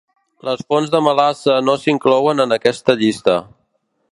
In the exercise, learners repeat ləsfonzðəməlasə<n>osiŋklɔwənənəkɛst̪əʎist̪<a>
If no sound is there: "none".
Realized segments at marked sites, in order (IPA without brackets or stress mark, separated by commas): n, ə